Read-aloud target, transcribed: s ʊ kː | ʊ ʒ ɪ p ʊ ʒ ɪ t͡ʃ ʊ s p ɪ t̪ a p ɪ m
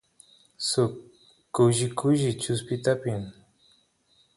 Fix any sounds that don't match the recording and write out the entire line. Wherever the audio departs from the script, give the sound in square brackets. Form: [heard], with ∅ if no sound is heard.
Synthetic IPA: s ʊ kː | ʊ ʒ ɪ [k] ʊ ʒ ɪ t͡ʃ ʊ s p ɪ t̪ a p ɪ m

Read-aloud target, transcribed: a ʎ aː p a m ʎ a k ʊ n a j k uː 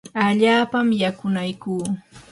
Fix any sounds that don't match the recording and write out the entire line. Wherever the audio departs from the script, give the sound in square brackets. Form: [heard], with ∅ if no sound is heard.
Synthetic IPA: a ʎ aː p a m [j] a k ʊ n a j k uː

